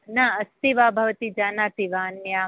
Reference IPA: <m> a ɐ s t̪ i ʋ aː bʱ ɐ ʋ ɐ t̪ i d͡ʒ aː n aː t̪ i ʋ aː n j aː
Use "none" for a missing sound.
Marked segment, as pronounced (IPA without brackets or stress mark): n